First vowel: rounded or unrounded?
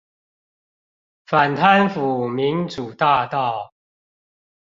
unrounded